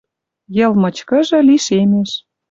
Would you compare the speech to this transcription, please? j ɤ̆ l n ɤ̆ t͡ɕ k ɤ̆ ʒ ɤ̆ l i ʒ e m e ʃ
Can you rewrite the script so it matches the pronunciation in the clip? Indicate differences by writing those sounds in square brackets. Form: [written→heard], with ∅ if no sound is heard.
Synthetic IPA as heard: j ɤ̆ l [n→m] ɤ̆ t͡ɕ k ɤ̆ ʒ ɤ̆ l i [ʒ→ʃ] e m e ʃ